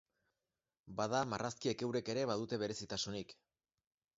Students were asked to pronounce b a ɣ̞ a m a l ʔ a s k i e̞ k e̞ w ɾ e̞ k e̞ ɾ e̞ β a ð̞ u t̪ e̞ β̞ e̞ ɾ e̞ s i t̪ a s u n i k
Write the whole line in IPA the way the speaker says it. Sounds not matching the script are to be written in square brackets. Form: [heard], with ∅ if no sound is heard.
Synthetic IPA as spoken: b a [ð̞] a m a [r] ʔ a s k i e̞ k e̞ w ɾ e̞ k e̞ ɾ e̞ β a ð̞ u t̪ e̞ β̞ e̞ ɾ e̞ s i t̪ a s u n i k